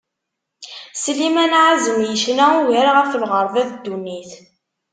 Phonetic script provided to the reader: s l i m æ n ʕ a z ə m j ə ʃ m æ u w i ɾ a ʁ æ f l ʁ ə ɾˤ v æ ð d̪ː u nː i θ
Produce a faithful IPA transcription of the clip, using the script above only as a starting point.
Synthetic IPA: s l i m æ n ʕ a z ə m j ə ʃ n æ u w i ɾ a ʁ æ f l ʁ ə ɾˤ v æ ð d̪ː u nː i θ